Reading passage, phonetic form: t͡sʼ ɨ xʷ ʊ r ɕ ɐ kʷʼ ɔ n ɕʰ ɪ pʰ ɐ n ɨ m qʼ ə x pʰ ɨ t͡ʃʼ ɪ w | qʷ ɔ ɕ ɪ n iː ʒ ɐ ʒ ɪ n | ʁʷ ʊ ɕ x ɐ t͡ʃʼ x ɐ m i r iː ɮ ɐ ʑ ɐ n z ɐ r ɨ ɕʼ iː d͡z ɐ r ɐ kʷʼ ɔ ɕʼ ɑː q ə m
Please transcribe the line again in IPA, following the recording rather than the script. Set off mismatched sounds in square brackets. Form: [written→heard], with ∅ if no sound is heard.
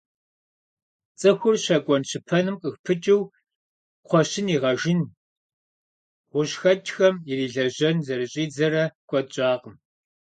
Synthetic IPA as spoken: t͡sʼ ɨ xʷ ʊ r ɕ ɐ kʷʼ ɔ n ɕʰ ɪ pʰ ɐ n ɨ m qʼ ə x pʰ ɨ t͡ʃʼ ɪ w | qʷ ɔ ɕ ɪ n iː [ʒ→ʁ] ɐ ʒ ɪ n | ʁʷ ʊ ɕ x ɐ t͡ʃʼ x ɐ m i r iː ɮ ɐ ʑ ɐ n z ɐ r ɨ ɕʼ iː d͡z ɐ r ɐ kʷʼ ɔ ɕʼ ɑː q ə m